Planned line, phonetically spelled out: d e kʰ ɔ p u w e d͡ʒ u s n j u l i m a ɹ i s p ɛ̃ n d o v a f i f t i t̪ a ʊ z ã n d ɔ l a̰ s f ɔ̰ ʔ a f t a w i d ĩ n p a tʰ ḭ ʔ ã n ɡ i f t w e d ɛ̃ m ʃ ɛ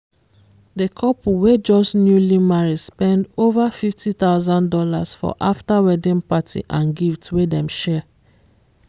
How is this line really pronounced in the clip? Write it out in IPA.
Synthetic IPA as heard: d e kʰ ɔ p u w e d͡ʒ ɔ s n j u l i m a ɹ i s p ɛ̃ n d o v a f i f t i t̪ a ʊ z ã n d ɔ l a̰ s f ɔ̰ ʔ a f t a w ɛ d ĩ n p a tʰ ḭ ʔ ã n ɡ i f t w e d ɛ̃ m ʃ ɛ